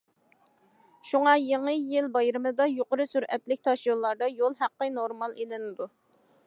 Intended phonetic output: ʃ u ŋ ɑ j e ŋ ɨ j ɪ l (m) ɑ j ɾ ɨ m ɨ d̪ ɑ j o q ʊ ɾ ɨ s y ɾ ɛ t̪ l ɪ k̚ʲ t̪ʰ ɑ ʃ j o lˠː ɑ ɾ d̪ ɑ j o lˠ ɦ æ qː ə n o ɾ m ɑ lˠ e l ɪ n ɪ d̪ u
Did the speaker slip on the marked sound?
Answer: yes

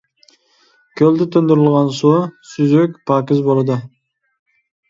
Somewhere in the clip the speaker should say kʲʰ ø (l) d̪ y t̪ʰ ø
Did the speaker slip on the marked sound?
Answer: no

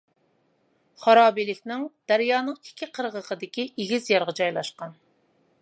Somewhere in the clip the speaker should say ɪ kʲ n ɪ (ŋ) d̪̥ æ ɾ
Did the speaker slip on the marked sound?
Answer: no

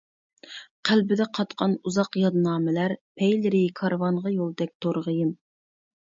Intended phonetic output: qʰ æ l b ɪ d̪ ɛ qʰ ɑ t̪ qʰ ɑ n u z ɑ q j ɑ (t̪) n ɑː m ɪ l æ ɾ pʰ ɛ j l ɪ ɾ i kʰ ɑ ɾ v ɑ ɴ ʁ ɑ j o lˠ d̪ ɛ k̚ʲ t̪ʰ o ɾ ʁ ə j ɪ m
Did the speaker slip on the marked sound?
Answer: yes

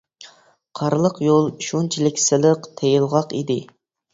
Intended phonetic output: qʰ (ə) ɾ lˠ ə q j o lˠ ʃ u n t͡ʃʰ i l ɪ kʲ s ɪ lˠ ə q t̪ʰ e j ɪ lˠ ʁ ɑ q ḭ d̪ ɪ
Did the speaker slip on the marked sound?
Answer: yes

